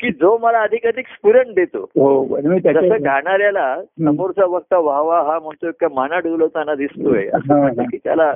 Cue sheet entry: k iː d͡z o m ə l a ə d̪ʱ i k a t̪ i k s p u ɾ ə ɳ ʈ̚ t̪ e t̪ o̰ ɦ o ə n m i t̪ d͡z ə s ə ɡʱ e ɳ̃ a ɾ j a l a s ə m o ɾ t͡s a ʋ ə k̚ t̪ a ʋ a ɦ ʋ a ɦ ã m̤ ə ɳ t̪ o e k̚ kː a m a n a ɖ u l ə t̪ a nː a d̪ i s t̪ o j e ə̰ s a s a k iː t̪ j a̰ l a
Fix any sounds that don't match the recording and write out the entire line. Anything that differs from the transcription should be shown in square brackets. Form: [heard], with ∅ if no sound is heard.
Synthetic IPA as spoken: k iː d͡z o m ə l a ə d̪ʱ i k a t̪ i k s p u ɾ ə ɳ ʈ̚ [d̪] e t̪ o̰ ɦ o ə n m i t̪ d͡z ə s ə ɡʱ [a] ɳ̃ a ɾ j a l a s ə m o ɾ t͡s a ʋ ə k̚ t̪ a ʋ a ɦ ʋ a ɦ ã m̤ ə ɳ t̪ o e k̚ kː a m a n a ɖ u l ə t̪ a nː a d̪ i s t̪ o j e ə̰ s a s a k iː t̪ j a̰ l a